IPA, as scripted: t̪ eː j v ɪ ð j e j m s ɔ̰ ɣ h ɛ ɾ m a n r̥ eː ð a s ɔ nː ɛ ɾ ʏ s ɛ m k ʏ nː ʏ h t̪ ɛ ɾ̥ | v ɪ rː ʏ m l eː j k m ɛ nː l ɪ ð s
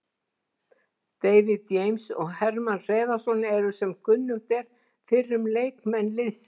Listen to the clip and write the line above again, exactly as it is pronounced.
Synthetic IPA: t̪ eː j v ɪ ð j e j m s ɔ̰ ɣ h ɛ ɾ m a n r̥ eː ð a s ɔ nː ɛ ɾ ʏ s ɛ m k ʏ nː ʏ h t̪ ɛ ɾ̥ | f ɪ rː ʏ m l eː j k m ɛ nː l ɪ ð s